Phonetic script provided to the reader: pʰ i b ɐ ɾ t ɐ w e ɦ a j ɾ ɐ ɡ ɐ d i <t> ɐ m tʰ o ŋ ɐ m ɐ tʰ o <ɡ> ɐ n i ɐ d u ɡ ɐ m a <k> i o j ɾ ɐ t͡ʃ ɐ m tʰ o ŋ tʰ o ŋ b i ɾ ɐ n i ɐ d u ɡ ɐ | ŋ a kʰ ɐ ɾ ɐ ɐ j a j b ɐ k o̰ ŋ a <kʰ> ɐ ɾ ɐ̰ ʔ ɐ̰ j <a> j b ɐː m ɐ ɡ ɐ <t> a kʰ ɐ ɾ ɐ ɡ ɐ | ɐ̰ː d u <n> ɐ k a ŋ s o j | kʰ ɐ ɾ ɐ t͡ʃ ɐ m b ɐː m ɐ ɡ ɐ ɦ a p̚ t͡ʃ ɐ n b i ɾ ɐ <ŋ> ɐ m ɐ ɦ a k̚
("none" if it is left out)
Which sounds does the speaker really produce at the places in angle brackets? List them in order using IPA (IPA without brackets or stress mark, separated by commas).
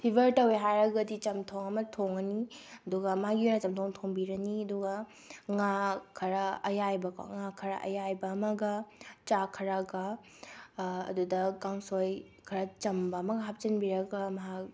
t͡ʃ, ŋ, ɡ, kʰ, a, t͡ʃ, d, ɡ